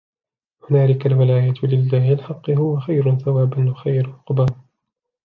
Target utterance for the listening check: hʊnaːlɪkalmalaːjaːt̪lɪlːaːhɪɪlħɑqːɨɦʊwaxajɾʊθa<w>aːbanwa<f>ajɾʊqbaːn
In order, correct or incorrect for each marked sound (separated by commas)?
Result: correct, incorrect